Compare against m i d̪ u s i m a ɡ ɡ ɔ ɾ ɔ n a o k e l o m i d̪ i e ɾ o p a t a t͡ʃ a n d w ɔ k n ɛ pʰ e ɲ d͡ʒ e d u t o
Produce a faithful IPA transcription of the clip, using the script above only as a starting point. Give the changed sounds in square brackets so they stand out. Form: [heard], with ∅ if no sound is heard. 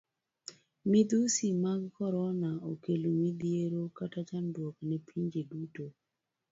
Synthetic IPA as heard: m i d̪ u s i m a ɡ [k] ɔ ɾ ɔ n a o k e l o m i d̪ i e ɾ o [k] a t a t͡ʃ a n d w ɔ k n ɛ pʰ [i] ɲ d͡ʒ e d u t o